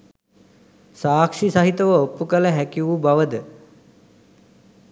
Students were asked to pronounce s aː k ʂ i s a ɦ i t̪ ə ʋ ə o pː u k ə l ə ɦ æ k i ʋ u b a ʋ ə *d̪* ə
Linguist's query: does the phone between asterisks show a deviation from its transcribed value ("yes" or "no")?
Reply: no